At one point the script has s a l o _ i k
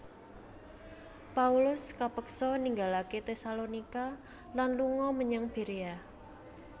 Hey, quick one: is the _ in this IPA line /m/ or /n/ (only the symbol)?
n